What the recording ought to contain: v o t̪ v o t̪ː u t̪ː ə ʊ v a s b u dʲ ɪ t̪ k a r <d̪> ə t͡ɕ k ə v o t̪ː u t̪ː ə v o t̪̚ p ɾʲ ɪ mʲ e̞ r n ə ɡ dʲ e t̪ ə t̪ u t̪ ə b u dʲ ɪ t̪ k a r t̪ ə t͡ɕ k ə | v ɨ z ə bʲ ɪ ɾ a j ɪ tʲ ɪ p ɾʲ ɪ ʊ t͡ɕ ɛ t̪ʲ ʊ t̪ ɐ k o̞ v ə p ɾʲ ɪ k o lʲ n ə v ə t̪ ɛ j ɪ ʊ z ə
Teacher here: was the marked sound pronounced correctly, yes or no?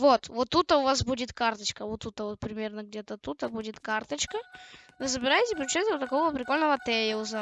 no